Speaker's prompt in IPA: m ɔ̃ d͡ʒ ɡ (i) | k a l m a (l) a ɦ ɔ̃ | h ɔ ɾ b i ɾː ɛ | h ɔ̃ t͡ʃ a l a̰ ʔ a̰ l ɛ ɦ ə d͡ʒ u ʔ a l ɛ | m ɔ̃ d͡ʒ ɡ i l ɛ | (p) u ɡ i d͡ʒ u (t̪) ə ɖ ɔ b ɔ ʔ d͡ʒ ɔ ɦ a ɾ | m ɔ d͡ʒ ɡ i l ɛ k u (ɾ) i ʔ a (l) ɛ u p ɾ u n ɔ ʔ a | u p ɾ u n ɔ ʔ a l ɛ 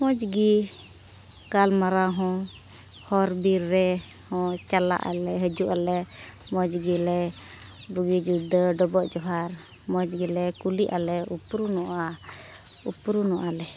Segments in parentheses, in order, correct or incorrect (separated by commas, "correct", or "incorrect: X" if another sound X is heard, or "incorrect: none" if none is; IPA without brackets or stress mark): correct, incorrect: ɾ, incorrect: b, incorrect: d̪, incorrect: l, correct